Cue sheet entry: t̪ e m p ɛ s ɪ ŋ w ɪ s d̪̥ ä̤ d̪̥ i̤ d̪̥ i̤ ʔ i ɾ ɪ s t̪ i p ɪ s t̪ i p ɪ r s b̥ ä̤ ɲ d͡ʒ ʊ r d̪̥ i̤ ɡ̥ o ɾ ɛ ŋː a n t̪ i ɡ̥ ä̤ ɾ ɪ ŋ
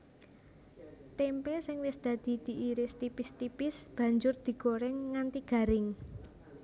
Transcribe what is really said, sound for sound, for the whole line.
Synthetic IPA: t̪ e m p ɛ s ɪ ŋ w ɪ s d̪̥ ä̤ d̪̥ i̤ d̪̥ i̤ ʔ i ɾ ɪ s t̪ i p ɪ s t̪ i p ɪ s b̥ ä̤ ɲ d͡ʒ ʊ r d̪̥ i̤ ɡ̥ o ɾ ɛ ŋː a n t̪ i ɡ̥ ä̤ ɾ ɪ ŋ